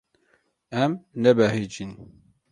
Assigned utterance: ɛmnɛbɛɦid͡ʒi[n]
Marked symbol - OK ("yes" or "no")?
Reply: yes